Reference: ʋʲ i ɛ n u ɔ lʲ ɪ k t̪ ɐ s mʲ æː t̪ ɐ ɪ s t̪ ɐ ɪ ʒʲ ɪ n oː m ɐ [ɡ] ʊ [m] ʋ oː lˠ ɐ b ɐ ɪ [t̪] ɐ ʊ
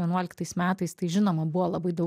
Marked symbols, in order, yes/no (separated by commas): no, no, no